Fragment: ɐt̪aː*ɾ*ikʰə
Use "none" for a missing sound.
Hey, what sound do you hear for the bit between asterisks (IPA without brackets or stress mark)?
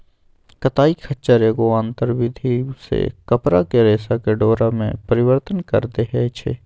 none